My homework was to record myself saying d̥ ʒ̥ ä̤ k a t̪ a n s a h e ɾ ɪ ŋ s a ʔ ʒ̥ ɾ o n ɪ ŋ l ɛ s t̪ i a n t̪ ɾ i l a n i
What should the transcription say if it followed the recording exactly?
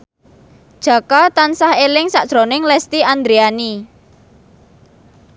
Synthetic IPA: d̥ ʒ̥ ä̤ k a t̪ a n s a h e l ɪ ŋ s a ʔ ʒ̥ ɾ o n ɪ ŋ l ɛ s t̪ i a n d̪ ɾ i a n i